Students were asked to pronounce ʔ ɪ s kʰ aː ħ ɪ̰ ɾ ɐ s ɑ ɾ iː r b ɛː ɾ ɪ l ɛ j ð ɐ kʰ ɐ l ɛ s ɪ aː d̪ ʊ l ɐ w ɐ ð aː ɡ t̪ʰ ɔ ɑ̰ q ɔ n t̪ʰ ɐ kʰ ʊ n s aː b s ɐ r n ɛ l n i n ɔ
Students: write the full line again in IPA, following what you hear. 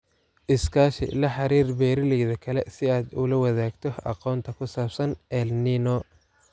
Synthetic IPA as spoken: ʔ ɪ s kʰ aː ʃ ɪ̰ l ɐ ħ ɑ ɾ iː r b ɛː ɾ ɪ l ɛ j ð ɐ kʰ ɐ l ɛ s ɪ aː d̪ ʊ l ɐ w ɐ ð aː ɡ t̪ʰ ɔ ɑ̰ q ɔː n t̪ʰ ɐ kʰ ʊ s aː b s ɐ n ɛ l n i n ɔ